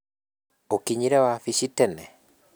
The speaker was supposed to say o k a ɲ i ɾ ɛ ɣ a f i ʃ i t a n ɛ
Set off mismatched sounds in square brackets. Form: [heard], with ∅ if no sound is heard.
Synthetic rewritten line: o k [i] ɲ i ɾ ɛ [w] a f i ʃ i t [ɛ] n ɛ